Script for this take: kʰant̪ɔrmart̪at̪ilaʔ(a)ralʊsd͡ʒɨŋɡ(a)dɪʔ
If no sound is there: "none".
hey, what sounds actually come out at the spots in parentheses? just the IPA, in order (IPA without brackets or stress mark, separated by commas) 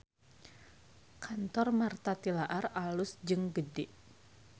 a, ə